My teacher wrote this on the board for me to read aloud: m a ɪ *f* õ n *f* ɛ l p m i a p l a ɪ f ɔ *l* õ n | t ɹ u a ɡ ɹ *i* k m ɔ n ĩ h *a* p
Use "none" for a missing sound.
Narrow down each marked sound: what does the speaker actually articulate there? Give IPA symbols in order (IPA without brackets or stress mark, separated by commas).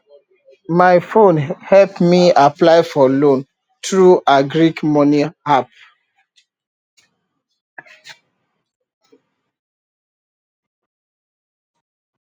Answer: f, h, l, i, a